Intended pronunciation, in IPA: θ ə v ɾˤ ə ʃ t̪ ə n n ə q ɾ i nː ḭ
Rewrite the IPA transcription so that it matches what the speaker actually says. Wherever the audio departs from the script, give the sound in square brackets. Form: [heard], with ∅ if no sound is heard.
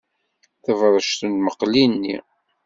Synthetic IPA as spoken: θ ə v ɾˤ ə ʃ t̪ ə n [m] ə q [l] i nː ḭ